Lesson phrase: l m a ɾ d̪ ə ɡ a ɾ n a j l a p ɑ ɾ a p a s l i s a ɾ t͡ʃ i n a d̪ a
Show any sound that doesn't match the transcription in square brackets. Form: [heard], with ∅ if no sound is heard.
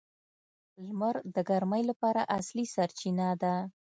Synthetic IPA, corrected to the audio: l m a ɾ d̪ ə ɡ a ɾ [m] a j l a p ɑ ɾ a [ʔ] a s l i s a ɾ t͡ʃ i n a d̪ a